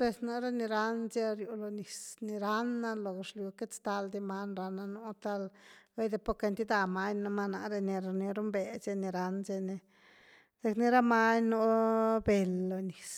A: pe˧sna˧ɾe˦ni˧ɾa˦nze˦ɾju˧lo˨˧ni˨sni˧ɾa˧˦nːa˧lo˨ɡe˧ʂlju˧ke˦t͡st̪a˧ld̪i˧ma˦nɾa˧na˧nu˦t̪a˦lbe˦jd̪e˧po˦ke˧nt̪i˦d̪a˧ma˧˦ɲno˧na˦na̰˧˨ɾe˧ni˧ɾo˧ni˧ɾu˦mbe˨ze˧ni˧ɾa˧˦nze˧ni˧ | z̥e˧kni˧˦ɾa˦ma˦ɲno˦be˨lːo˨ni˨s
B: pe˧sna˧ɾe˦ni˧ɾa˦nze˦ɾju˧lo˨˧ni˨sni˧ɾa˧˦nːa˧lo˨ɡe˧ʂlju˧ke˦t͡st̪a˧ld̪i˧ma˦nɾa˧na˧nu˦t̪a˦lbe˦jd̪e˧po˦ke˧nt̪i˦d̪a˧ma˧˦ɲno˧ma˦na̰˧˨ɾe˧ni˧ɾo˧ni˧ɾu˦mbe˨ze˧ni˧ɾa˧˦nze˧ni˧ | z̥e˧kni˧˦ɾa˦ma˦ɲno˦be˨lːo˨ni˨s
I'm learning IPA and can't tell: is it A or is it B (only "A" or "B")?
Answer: B